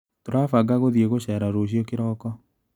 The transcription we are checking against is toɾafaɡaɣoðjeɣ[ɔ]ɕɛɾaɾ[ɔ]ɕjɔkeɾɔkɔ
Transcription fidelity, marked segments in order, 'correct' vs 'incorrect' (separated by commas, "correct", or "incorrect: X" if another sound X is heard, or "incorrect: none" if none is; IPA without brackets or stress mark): incorrect: o, incorrect: o